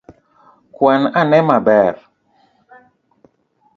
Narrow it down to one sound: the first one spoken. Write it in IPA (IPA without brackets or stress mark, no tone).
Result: k